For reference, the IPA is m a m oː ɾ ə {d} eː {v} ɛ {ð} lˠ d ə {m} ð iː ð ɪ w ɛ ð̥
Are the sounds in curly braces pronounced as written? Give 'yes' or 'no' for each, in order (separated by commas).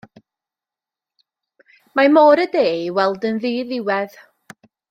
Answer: yes, no, no, no